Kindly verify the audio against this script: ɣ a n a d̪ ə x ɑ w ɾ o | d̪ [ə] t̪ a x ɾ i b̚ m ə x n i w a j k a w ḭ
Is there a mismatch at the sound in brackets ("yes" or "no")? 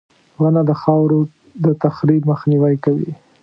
no